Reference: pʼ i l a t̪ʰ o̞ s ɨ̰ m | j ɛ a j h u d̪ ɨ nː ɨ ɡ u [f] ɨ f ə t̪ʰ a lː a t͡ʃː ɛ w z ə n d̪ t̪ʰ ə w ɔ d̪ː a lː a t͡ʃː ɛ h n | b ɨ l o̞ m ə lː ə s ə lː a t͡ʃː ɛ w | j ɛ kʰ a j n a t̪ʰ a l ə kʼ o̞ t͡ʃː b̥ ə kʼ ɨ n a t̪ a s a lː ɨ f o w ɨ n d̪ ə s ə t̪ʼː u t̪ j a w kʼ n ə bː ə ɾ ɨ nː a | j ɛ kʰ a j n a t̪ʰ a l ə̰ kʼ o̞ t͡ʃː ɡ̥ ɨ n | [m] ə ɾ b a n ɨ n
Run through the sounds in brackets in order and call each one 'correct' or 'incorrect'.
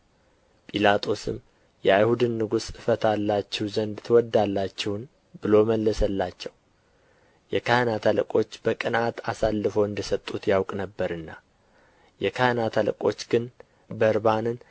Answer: incorrect: s, incorrect: b

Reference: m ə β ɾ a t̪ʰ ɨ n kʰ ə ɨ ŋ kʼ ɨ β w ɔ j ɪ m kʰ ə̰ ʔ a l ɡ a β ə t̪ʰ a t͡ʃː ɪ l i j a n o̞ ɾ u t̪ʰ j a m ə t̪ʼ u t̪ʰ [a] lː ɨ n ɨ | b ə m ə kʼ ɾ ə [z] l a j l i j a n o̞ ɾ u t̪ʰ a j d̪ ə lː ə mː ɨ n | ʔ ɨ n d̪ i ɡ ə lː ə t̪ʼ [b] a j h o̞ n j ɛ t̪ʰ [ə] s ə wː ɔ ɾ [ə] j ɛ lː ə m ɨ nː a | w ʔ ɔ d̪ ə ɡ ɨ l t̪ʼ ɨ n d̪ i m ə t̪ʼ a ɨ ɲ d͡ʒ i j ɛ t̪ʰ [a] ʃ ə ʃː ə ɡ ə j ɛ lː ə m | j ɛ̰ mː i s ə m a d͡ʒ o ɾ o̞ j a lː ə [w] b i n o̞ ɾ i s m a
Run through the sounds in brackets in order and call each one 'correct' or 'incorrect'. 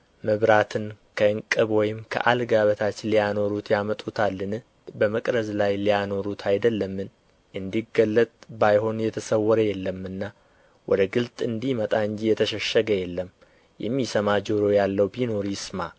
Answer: correct, correct, correct, correct, correct, incorrect: ə, correct

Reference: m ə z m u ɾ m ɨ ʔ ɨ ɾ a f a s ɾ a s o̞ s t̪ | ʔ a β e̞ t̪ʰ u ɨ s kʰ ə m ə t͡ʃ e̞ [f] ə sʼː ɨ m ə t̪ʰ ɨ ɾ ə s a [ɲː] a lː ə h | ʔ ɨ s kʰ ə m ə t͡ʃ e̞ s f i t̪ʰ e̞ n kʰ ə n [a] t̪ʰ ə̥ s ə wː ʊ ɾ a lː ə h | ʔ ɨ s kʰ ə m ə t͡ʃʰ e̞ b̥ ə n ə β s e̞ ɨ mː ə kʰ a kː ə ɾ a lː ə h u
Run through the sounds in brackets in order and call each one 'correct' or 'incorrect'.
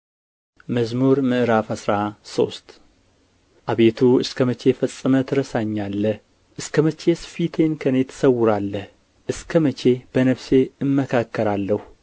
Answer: correct, correct, incorrect: e

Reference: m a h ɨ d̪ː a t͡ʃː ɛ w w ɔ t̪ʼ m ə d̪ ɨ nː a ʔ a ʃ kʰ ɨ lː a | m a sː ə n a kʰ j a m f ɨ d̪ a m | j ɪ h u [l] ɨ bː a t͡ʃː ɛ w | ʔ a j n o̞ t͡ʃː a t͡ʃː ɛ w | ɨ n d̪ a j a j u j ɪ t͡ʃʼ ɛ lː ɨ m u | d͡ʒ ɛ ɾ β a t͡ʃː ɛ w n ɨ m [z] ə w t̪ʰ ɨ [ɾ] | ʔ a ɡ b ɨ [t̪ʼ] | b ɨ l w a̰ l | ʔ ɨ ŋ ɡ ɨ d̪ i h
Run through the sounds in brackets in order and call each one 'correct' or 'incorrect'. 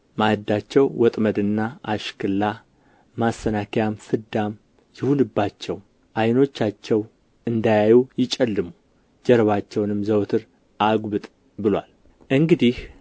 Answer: correct, correct, correct, correct

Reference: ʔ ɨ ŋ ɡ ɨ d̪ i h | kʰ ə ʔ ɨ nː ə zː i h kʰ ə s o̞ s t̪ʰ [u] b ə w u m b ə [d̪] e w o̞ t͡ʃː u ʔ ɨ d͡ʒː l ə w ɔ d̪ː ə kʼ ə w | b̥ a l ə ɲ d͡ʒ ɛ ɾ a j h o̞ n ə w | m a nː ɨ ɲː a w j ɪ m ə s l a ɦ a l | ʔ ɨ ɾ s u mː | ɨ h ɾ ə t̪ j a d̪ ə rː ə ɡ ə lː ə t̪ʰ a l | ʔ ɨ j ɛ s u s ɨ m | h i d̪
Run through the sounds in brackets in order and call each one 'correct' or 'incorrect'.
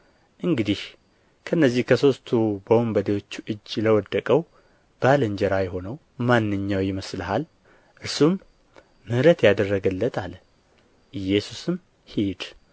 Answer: correct, correct

